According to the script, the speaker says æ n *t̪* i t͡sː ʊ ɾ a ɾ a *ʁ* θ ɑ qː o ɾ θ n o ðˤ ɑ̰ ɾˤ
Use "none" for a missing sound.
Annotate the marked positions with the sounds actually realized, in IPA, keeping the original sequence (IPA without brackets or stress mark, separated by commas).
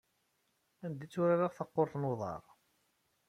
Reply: d̪, ʁ